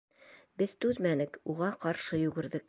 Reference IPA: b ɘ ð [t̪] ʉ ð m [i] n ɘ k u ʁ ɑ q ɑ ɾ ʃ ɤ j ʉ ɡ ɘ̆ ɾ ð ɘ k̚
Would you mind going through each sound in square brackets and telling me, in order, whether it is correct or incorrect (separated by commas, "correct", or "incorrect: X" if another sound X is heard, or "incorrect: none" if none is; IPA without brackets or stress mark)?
correct, incorrect: æ